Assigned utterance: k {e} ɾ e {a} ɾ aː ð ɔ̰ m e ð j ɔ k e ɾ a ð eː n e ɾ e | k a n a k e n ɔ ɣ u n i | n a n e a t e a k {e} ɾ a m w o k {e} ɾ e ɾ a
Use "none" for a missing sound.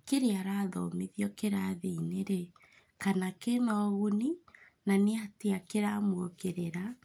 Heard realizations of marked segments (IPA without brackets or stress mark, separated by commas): e, a, e, e